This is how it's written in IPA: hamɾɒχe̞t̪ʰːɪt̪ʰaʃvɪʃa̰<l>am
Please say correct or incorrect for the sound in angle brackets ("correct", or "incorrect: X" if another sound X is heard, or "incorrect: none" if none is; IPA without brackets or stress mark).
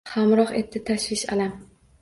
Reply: correct